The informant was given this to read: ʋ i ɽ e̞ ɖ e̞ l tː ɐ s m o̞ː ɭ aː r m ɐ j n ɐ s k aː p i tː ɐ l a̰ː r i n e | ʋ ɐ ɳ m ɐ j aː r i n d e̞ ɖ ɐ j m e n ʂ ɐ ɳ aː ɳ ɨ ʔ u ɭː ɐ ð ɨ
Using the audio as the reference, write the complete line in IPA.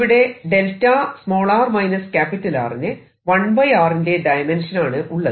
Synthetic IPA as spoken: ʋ i ɽ e̞ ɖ e̞ l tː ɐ s m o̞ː ɭ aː r m ɐ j n ɐ s k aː p i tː ɐ l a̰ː r i n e | ʋ ɐ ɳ b ɐ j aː r i n d e̞ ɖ ɐ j m e n ʂ ɐ n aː ɳ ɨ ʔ u ɭː ɐ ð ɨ